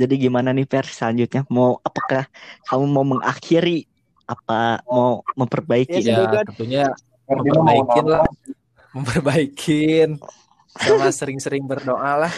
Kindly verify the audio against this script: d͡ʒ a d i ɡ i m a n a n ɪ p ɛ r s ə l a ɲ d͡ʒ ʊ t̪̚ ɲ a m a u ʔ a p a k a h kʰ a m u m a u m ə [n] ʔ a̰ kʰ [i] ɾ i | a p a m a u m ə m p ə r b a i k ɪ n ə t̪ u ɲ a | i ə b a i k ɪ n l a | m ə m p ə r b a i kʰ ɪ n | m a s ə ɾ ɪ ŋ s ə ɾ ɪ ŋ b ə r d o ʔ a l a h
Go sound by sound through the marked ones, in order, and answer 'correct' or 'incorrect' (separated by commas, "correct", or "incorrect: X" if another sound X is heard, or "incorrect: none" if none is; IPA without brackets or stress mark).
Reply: incorrect: ŋ, correct